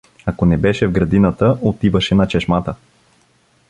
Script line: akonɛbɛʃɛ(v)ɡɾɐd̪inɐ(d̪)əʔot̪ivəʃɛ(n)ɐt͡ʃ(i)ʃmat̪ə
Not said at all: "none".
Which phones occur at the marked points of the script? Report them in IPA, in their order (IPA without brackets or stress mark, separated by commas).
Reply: v, t̪, n, ɛ